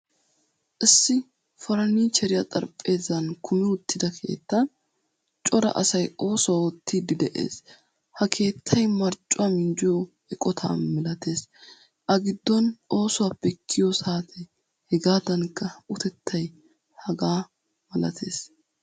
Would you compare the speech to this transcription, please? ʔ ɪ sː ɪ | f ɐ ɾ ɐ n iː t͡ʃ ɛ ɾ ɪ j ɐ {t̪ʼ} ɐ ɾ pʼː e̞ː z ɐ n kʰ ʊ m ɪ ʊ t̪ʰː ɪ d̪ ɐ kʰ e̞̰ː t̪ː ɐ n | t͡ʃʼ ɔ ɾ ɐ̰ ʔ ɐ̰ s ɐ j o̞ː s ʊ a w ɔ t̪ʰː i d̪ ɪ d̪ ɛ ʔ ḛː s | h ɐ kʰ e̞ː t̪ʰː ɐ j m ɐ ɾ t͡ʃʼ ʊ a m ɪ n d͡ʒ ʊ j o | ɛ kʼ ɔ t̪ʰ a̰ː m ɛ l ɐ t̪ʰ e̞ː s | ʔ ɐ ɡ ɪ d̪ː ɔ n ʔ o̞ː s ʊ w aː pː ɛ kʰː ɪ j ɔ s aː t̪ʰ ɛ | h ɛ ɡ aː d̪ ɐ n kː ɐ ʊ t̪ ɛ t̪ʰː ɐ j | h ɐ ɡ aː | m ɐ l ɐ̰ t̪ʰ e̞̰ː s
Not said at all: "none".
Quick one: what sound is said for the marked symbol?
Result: t̪ʼ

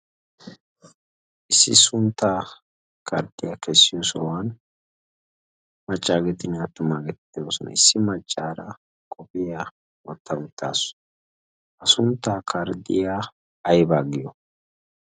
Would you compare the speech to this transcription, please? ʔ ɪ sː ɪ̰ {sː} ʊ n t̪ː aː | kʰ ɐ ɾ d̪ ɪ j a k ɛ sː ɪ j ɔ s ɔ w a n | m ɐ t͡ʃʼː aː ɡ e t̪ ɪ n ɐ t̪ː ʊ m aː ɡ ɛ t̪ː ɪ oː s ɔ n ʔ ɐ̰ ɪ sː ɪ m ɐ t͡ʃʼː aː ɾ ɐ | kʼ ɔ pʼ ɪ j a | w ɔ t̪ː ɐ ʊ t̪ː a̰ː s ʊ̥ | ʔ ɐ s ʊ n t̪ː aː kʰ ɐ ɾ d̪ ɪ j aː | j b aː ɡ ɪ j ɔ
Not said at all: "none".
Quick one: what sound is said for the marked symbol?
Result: s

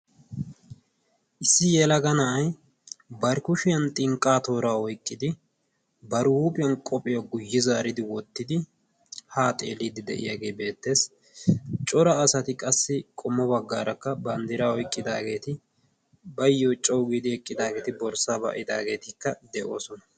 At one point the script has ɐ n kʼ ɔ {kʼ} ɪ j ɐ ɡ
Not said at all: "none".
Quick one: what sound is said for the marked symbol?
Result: pʼ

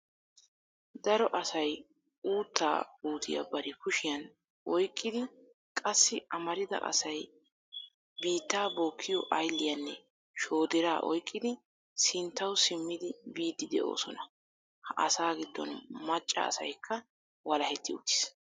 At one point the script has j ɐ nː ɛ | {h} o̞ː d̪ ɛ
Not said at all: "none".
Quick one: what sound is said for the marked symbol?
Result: ʃ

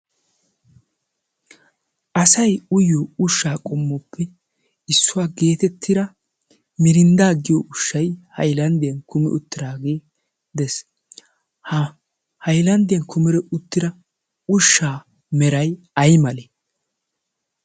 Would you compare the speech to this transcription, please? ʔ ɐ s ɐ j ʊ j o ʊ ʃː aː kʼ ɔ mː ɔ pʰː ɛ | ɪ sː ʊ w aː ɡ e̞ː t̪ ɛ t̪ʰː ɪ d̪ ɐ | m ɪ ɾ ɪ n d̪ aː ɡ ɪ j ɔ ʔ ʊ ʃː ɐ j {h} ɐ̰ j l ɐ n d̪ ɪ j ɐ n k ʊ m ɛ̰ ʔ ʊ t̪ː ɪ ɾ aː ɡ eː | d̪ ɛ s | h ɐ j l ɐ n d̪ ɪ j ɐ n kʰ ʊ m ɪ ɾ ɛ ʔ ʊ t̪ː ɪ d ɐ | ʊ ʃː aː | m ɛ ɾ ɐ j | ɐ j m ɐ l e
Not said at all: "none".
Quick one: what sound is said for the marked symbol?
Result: h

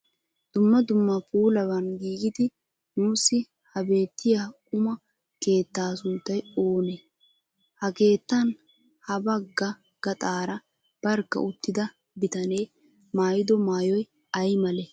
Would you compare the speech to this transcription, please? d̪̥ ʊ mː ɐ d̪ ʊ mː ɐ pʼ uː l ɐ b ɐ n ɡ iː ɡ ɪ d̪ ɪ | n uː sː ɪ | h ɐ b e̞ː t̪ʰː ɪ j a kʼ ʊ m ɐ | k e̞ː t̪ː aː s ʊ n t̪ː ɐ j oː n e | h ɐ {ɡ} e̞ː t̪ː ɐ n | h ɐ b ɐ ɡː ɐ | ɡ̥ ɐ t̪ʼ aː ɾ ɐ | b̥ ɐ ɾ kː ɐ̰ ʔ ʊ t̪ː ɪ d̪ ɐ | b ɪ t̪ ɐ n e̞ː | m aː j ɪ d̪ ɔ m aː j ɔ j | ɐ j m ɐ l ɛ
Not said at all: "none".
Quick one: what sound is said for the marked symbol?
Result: k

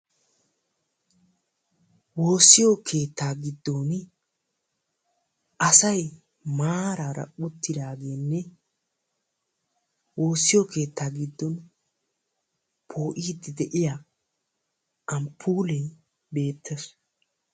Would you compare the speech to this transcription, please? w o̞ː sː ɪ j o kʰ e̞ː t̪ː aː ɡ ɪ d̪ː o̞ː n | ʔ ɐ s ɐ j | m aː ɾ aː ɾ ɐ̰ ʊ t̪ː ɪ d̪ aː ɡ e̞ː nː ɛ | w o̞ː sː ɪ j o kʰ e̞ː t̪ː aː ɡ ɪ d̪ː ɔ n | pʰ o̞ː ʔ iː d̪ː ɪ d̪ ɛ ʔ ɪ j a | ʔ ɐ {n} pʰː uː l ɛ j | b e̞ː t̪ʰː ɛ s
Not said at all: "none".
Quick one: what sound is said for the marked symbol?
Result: m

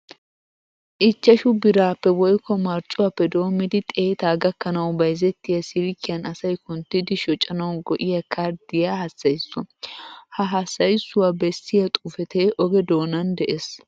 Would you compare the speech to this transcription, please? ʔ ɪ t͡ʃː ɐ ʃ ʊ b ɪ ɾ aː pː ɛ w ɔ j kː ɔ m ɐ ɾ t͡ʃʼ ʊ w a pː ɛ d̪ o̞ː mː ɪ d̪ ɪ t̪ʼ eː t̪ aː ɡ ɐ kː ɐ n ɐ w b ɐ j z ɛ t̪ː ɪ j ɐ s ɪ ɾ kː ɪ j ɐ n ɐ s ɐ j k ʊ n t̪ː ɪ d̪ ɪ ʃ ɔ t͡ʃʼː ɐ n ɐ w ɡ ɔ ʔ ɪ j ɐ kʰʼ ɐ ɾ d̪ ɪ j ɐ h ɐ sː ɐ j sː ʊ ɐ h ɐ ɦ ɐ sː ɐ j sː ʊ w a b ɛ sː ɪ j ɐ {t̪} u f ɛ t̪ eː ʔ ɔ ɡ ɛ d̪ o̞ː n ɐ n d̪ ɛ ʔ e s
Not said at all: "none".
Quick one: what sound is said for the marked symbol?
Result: t̪ʼ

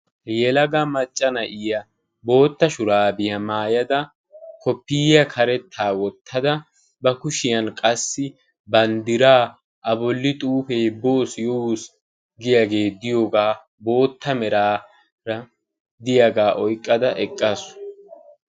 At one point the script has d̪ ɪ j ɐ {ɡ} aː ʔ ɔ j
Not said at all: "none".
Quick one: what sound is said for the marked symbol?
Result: ɡ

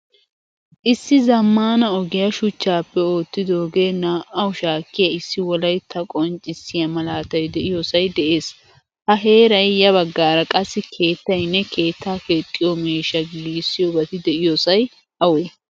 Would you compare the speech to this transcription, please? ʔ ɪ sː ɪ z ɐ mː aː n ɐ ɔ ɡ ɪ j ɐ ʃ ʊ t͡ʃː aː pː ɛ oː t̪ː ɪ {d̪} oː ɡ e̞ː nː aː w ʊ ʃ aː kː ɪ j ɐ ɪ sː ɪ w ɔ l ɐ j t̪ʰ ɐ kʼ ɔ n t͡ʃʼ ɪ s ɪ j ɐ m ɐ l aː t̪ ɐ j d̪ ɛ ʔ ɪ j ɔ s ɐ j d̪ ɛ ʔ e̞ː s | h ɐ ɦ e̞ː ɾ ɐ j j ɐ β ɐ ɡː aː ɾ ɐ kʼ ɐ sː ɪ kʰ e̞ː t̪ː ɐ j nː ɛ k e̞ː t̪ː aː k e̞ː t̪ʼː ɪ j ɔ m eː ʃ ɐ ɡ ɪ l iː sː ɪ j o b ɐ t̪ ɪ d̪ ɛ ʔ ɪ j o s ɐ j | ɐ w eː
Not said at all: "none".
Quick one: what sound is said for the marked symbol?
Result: d̪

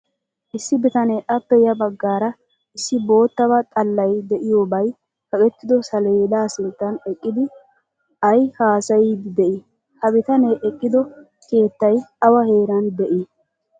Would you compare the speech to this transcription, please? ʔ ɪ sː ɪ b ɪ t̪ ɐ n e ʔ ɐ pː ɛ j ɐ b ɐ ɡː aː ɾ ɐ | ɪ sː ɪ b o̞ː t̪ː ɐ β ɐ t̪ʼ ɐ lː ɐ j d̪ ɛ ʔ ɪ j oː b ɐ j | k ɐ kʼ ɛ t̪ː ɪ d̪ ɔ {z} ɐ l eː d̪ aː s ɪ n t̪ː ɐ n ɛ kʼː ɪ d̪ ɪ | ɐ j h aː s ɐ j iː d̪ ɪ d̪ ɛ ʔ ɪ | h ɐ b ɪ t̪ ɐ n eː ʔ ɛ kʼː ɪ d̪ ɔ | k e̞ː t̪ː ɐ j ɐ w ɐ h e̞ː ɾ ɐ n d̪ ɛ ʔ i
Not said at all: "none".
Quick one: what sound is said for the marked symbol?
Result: s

